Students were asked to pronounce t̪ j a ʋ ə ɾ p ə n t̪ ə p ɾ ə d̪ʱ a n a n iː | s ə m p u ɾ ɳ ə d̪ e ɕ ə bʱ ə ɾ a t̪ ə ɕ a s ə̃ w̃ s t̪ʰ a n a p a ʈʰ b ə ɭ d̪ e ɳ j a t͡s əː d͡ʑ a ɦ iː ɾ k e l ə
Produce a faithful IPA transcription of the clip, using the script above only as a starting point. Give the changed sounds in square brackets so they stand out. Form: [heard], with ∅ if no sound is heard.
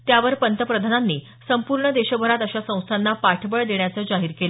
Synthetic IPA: t̪ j a ʋ ə ɾ p ə n t̪ ə p ɾ ə d̪ʱ a n a [nː] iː | s ə m p u ɾ ɳ ə d̪ e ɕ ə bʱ ə ɾ a t̪ ə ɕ a s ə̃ w̃ s t̪ʰ a [nː] a p a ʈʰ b ə ɭ d̪ e ɳ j a t͡s əː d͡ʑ a ɦ iː ɾ k e l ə